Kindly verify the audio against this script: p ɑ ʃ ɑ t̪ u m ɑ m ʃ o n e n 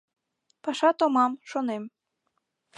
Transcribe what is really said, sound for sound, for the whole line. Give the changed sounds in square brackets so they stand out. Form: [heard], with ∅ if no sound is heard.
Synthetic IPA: p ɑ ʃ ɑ t̪ [o] m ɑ m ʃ o n e [m]